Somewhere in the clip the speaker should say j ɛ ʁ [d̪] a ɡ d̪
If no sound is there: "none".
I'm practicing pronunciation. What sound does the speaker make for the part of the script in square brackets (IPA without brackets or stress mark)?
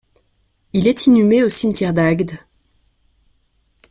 d̪